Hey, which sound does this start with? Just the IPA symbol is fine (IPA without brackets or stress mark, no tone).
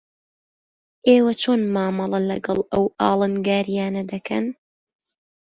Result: ʔ